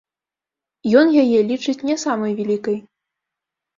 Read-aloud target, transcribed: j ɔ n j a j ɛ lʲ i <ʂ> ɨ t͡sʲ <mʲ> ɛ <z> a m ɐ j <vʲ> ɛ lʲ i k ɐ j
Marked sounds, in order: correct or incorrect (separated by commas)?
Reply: incorrect, incorrect, incorrect, correct